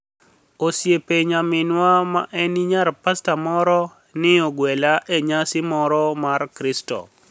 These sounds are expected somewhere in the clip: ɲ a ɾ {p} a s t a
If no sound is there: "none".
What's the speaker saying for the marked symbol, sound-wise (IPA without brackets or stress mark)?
p